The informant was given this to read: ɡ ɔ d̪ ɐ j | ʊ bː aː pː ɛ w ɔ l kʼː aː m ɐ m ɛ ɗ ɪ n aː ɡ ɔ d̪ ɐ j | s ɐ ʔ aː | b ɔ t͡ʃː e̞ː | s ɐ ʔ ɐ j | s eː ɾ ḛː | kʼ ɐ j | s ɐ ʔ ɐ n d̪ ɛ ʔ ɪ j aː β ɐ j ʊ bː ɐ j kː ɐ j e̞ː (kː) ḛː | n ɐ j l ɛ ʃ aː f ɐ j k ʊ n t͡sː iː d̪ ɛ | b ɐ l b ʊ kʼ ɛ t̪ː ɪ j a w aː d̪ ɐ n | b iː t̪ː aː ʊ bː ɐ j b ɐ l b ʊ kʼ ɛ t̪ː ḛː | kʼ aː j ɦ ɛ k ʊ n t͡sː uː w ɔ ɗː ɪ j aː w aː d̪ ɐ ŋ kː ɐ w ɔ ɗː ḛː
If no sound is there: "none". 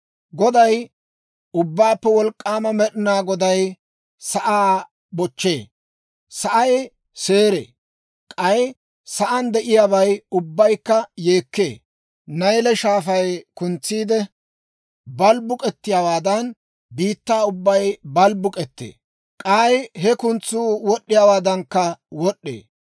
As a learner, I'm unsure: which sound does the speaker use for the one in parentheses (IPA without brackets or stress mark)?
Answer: kː